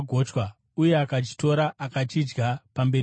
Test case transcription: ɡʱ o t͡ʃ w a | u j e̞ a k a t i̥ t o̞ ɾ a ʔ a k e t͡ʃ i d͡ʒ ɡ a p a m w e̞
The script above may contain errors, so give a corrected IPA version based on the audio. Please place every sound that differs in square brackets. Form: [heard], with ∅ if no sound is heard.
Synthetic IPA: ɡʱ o t͡ʃ w a | u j e̞ a k a [t͡ʃ] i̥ t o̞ ɾ a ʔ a k [a] t͡ʃ i d͡ʒ ɡ a p a m [b] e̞